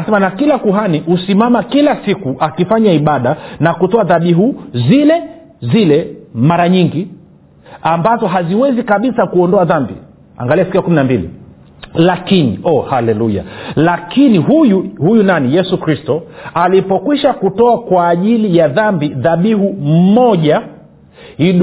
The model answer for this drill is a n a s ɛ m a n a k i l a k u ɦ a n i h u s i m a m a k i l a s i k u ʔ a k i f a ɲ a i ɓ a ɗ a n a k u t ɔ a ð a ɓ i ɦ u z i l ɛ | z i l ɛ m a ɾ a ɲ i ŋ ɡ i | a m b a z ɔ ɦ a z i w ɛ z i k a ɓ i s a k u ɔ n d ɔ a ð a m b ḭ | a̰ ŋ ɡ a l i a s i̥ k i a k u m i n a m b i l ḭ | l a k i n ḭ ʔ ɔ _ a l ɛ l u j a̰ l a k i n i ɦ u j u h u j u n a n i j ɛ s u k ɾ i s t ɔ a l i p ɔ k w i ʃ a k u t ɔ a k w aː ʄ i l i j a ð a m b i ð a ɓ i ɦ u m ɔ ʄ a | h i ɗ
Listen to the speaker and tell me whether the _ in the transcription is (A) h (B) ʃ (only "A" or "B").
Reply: A